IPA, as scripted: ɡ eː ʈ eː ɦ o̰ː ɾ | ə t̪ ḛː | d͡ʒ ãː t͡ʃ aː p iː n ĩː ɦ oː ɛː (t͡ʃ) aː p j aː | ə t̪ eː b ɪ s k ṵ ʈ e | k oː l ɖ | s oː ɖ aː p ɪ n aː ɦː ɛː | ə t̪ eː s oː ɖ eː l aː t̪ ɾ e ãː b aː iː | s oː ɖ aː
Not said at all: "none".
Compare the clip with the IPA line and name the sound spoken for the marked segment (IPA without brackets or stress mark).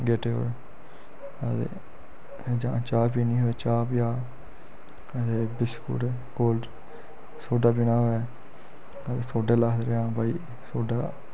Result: t͡ʃ